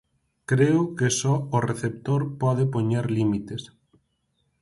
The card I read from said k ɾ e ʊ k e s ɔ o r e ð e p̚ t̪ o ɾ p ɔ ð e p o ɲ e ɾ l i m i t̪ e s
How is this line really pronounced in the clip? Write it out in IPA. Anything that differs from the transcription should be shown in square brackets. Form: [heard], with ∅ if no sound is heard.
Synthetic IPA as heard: k ɾ e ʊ k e s ɔ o r e [θ] e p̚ t̪ o ɾ p ɔ ð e p o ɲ e ɾ l i m i t̪ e s